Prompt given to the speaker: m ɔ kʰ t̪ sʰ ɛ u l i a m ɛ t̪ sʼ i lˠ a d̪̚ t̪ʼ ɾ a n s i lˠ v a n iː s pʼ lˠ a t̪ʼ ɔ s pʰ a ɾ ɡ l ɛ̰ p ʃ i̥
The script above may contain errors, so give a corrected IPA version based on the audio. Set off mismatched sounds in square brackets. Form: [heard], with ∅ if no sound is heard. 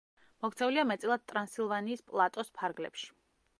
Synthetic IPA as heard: m ɔ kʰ t̪ sʰ ɛ u l i a m ɛ t̪ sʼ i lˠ a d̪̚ t̪ʼ ɾ a n s i lˠ v a n iː s pʼ lˠ a t̪ʼ ɔ s pʰ a ɾ ɡ l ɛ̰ p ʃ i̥

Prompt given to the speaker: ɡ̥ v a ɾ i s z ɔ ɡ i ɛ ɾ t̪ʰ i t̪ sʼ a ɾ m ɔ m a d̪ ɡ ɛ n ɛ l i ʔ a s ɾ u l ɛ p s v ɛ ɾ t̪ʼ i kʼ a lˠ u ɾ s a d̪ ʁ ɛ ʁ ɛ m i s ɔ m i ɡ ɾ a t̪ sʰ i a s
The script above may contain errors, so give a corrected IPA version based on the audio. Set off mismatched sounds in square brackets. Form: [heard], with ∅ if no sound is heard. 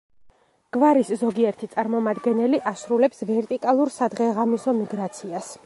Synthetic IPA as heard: ɡ̥ v a ɾ i s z ɔ ɡ i ɛ ɾ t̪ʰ i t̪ sʼ a ɾ m ɔ m a d̪ ɡ ɛ n ɛ l i ʔ a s ɾ u l ɛ p s v ɛ ɾ t̪ʼ i kʼ a lˠ u ɾ s a d̪ ʁ ɛ ʁ [a] m i s ɔ m i ɡ ɾ a t̪ sʰ i a s

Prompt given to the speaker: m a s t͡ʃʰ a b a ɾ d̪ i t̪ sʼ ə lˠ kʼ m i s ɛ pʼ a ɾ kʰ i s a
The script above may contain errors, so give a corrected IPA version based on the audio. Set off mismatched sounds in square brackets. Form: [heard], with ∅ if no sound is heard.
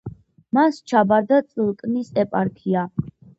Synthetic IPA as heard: m a s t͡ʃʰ a b a ɾ d̪ [a] t̪ sʼ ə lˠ kʼ [n] i s ɛ pʼ a ɾ kʰ i [∅] a

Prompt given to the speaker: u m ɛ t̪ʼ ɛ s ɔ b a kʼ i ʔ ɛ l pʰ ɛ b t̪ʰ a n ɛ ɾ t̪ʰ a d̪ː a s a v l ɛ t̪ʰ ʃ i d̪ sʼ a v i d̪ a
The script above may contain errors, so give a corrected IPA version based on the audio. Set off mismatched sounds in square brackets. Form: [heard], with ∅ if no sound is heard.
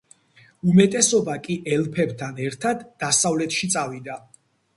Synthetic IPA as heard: u m ɛ t̪ʼ ɛ s ɔ b a kʼ i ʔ ɛ l pʰ ɛ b t̪ʰ a n ɛ ɾ t̪ʰ a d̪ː a s a v l ɛ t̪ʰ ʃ i [t̪] sʼ a v i d̪ a

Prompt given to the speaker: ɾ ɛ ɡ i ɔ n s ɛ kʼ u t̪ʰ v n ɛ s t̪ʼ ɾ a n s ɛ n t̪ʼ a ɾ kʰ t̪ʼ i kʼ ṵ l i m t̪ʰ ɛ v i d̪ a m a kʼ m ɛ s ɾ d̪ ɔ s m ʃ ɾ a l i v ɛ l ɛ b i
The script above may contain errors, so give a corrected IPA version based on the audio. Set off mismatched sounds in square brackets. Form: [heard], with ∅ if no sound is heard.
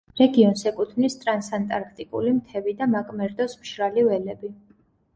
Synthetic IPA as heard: ɾ ɛ ɡ i ɔ n s ɛ kʼ u t̪ʰ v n [i] s t̪ʼ ɾ a n s [a] n t̪ʼ a ɾ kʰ t̪ʼ i kʼ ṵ l i m t̪ʰ ɛ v i d̪ a m a kʼ m ɛ [∅] ɾ d̪ ɔ s m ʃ ɾ a l i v ɛ l ɛ b i

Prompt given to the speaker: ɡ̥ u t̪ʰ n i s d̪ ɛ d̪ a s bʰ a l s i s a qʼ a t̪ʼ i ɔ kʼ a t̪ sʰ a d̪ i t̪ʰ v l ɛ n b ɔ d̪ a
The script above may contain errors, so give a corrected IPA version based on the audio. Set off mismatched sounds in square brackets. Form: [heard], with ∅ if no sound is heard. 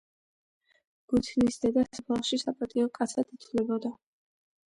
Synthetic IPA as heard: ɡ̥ u t̪ʰ n i s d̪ ɛ d̪ a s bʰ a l [ʃ] i s a [pʼ] a t̪ʼ i ɔ kʼ a t̪ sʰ a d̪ i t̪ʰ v l ɛ [∅] b ɔ d̪ a

